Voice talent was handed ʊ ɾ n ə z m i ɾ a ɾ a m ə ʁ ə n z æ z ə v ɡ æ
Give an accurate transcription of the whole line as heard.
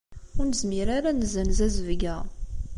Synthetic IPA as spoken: ʊ ɾ n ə z m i ɾ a ɾ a n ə z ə n z æ z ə v ɡ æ